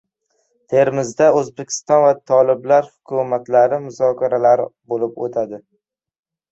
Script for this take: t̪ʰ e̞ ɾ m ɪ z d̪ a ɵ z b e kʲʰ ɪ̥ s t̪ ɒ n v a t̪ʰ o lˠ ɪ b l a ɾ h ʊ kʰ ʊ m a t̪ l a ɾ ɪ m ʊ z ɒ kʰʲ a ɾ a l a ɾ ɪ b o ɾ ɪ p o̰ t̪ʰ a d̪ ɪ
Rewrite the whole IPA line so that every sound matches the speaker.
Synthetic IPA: t̪ʰ e̞ ɾ m ɪ z d̪ a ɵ z b e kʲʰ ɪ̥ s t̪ ɒ n v a t̪ʰ ɒ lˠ ɪ b l a ɾ h ʊ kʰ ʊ m a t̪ l a ɾ ɪ m ʊ z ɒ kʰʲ a ɾ a l a ɾ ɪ b o l ɪ p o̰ t̪ʰ a d̪ ɪ